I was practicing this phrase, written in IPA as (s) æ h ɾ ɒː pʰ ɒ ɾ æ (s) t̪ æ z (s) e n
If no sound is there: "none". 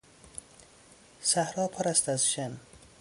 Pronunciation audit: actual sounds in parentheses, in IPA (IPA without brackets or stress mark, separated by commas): s, s, ʃ